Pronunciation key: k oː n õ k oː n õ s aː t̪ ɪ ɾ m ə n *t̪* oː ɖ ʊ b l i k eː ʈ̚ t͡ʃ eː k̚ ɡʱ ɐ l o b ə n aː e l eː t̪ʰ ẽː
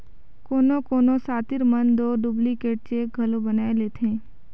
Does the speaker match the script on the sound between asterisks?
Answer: no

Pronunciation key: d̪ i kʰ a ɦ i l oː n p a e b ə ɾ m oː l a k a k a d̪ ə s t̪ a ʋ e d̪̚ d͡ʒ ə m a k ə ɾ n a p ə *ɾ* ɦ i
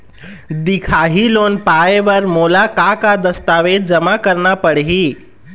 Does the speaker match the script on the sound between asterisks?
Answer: no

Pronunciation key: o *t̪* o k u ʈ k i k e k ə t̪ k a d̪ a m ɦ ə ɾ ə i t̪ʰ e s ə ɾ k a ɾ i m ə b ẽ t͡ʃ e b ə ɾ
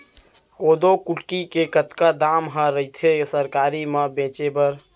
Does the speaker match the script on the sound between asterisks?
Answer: no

